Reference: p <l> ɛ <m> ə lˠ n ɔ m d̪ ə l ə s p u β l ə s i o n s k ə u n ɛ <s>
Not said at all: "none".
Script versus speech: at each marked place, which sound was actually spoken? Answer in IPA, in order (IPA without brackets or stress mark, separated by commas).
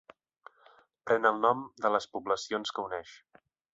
ɾ, n, ʃ